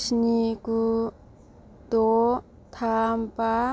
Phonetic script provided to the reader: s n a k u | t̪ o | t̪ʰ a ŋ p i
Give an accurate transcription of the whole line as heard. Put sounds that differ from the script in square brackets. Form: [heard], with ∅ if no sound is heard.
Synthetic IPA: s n [i] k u | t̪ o | t̪ʰ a [m] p [a]